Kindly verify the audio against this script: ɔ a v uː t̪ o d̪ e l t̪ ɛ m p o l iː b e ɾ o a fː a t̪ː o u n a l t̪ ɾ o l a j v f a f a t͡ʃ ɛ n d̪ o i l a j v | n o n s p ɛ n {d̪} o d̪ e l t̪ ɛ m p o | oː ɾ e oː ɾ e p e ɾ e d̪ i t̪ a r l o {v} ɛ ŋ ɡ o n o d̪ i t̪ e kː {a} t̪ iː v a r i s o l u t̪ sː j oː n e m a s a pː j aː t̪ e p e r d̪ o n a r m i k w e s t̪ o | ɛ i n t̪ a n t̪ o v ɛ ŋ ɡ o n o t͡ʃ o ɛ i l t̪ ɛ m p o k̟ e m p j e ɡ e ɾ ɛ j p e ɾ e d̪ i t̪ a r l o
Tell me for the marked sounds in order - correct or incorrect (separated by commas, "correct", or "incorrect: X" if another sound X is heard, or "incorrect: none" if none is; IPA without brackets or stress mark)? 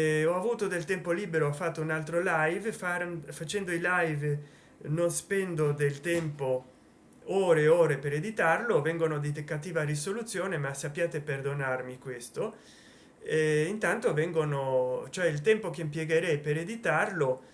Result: correct, correct, correct